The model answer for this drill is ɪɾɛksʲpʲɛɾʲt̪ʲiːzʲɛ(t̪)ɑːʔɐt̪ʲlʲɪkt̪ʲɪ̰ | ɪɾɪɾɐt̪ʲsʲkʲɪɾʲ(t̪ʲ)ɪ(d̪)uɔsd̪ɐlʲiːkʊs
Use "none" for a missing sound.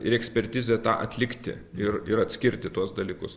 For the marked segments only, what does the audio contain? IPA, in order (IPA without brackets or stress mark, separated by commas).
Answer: t̪, t̪ʲ, t̪